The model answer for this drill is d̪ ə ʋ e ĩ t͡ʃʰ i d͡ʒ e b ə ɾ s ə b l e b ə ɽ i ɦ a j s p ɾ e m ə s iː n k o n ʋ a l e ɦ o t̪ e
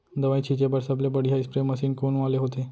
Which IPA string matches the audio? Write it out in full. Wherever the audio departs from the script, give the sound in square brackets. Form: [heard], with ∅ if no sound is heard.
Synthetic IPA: d̪ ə ʋ [a] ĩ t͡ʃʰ i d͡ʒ e b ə ɾ s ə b l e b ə ɽ i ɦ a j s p ɾ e m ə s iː n k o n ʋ a l e ɦ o t̪ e

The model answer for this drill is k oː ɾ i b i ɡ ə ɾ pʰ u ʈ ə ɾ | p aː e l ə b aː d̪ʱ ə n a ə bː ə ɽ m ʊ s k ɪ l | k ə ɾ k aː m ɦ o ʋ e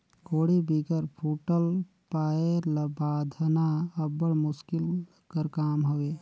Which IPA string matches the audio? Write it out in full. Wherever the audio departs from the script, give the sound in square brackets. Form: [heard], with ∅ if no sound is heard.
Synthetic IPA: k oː [ɽ] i b i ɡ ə ɾ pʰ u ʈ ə [l] | p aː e l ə b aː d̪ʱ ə n a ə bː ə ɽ m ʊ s k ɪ l | k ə ɾ k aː m ɦ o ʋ e

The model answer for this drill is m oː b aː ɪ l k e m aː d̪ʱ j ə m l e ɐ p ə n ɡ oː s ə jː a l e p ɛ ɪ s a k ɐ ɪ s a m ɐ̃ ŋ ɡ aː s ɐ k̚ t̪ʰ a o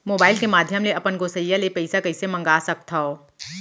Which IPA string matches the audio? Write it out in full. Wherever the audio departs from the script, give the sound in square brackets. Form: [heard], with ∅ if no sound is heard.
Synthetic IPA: m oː b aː ɪ l k e m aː d̪ʱ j ə m l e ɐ p ə n ɡ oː s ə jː a l e p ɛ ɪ s a k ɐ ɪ s [e] m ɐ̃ ŋ ɡ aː s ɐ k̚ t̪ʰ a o

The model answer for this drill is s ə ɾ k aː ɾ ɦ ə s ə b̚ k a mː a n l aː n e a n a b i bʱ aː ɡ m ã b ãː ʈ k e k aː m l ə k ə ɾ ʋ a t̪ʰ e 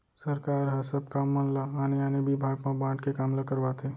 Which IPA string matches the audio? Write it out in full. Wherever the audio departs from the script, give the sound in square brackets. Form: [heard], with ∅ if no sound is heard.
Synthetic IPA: s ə ɾ k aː ɾ ɦ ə s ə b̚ k a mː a n l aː n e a n [e] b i bʱ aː ɡ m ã b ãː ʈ k e k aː m l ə k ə ɾ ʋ a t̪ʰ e

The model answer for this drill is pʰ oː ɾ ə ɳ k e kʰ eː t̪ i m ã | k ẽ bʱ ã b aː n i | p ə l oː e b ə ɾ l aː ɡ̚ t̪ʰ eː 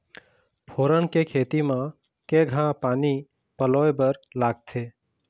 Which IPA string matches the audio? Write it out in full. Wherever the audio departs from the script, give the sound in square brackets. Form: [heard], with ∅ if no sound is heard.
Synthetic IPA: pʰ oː ɾ ə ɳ k e kʰ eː t̪ i m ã | k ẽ [ɡʱ] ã [p] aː n i | p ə l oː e b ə ɾ l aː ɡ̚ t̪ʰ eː

